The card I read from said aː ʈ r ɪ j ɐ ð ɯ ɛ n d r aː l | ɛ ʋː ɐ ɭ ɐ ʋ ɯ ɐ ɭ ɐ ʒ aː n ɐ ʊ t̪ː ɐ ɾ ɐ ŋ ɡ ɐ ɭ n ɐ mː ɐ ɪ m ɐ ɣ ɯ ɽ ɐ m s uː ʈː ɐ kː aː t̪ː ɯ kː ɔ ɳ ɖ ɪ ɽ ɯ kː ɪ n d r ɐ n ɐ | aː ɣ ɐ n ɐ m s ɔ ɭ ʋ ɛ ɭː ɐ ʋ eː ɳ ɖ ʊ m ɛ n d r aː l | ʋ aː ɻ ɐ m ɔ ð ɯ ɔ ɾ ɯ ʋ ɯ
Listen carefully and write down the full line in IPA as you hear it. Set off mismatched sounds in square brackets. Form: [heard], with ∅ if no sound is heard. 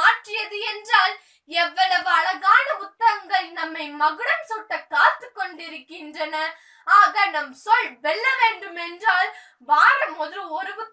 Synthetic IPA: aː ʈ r ɪ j ɐ ð ɯ ɛ n d r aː l | ɛ ʋː ɐ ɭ ɐ ʋ ɯ ɐ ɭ ɐ [ɣ] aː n ɐ ʊ t̪ː ɐ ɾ ɐ ŋ ɡ ɐ ɭ n ɐ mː ɐ ɪ m ɐ ɣ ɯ ɽ ɐ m s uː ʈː ɐ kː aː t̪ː ɯ kː ɔ ɳ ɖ ɪ [ɾ] ɯ kː ɪ n d r ɐ n ɐ | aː ɣ ɐ n ɐ m s ɔ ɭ ʋ ɛ ɭː ɐ ʋ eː ɳ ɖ [ɯ] m ɛ n d r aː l | ʋ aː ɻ ɐ m ɔ ð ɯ ɔ ɾ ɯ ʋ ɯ